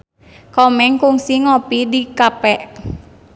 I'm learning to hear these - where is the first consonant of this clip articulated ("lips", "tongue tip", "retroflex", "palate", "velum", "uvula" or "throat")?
velum